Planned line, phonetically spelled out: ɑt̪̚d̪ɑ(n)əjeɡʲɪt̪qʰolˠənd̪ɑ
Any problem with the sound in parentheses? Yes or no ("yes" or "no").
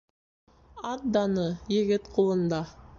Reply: no